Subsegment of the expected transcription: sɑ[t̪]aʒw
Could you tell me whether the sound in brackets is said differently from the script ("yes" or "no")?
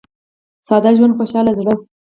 yes